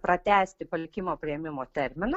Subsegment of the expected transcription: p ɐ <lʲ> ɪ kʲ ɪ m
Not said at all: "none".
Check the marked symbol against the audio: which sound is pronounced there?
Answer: lʲ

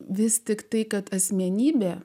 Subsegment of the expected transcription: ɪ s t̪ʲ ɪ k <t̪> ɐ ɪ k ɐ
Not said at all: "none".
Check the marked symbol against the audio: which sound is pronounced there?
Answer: t̪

